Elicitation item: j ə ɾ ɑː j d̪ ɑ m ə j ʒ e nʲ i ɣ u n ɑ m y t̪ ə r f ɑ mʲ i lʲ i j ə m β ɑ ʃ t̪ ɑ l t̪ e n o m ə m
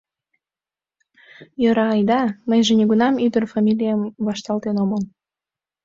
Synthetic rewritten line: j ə ɾ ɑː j d̪ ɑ m ə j ʒ e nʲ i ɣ u n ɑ m y d̪ ə r f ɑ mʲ i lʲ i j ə m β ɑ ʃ t̪ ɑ l t̪ e n o m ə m